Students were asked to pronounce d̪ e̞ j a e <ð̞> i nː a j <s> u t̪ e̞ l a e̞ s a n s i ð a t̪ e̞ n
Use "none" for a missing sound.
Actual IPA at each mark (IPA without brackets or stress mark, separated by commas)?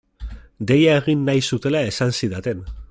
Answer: ɣ̞, s